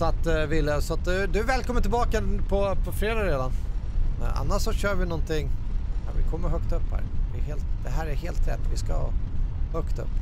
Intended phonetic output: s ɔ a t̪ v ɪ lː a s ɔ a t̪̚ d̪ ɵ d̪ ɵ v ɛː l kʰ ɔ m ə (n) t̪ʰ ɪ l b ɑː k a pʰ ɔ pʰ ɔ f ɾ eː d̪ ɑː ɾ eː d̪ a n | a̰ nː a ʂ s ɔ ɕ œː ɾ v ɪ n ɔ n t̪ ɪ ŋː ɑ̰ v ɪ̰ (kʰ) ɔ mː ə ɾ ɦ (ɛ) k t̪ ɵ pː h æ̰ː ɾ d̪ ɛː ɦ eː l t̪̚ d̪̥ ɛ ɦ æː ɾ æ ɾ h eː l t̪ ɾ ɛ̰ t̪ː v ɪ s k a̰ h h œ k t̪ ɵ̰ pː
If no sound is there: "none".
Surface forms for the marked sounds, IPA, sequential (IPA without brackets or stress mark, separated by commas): n, kʰ, œ